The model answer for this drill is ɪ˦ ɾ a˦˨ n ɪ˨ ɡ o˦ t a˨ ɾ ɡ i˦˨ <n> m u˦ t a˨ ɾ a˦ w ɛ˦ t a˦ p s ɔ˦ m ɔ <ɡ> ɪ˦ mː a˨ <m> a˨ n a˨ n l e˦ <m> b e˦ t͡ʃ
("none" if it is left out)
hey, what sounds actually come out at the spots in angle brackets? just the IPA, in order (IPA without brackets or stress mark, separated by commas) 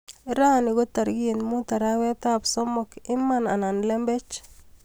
n, k, n, m